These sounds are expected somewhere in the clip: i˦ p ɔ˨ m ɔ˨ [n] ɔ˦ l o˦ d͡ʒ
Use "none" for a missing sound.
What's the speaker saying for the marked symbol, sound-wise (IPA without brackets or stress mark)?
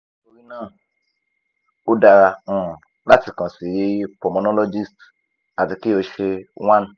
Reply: n